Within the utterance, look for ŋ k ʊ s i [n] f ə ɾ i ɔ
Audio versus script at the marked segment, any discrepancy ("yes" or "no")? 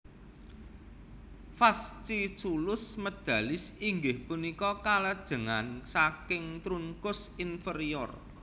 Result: no